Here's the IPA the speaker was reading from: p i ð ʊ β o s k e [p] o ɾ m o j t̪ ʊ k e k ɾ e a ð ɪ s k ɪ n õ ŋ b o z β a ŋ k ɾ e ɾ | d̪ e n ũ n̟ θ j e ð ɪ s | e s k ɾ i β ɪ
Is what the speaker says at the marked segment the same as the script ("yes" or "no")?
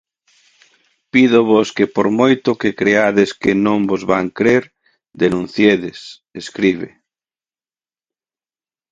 yes